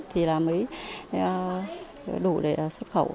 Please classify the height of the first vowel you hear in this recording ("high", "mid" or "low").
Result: high